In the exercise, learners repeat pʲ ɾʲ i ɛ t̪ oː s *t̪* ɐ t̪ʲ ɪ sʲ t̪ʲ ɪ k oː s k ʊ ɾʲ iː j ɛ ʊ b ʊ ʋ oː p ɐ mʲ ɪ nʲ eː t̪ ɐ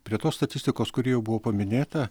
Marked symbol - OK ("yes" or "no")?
yes